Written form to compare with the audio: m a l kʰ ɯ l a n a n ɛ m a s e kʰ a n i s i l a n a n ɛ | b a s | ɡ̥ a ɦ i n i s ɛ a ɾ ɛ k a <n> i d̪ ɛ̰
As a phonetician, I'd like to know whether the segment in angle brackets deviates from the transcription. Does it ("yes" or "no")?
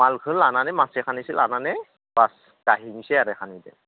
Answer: no